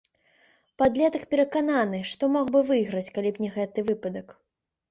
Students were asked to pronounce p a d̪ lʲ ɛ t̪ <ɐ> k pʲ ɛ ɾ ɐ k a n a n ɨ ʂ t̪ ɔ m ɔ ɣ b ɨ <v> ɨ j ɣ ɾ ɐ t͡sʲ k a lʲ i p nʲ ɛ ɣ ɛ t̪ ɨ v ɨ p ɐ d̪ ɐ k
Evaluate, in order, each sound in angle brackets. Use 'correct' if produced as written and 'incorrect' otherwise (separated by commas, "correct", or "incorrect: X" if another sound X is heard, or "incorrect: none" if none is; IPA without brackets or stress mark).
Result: correct, correct